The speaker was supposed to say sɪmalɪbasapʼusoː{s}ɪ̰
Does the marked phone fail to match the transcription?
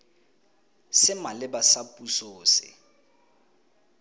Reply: no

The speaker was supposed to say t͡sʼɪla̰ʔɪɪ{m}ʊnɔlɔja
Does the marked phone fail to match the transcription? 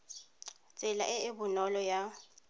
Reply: yes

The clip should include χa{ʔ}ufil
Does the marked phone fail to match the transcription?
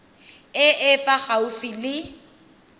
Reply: yes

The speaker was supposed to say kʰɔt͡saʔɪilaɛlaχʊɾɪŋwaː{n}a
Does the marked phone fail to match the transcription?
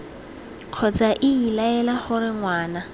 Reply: no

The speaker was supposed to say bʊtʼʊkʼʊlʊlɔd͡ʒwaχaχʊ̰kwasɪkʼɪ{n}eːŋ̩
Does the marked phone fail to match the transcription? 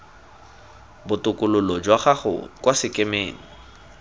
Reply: yes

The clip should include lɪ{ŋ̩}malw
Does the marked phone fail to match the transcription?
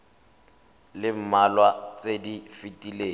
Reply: yes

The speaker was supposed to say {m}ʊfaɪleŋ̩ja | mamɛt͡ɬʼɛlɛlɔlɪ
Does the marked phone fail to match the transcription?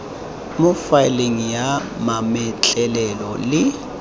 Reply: no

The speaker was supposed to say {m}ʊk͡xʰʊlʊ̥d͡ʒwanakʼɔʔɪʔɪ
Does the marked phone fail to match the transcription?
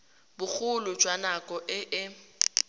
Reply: yes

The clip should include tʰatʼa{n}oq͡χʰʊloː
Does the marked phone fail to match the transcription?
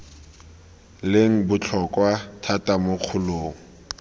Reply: yes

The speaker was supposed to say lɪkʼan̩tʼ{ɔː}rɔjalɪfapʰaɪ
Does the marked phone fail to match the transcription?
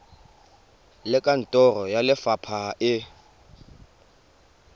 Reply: yes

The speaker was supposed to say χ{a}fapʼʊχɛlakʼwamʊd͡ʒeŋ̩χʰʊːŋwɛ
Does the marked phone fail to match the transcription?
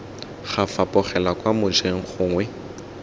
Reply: no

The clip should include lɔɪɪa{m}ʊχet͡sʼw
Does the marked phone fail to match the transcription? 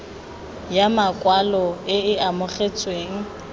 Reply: no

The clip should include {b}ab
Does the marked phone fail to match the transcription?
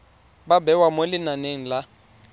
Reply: no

